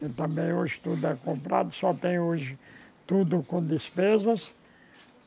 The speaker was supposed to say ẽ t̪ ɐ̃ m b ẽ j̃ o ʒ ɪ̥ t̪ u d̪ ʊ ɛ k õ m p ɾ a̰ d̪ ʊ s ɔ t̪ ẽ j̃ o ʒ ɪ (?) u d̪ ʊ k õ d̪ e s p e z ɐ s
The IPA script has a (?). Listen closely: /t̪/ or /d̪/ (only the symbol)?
t̪